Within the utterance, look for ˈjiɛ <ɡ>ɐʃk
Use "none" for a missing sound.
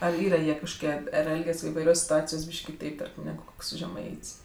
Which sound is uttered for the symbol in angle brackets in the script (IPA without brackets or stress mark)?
k